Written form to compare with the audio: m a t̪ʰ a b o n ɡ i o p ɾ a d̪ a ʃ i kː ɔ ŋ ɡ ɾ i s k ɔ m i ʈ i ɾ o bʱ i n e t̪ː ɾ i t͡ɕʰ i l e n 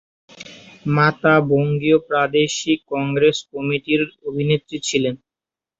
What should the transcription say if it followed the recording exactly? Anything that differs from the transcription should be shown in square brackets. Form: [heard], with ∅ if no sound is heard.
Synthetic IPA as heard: m a [t̪] a b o [ŋ] ɡ i o p ɾ a d̪ [e] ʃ i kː ɔ ŋ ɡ ɾ [e] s k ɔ m i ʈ i ɾ o bʱ i n e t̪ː ɾ i t͡ɕʰ i l e n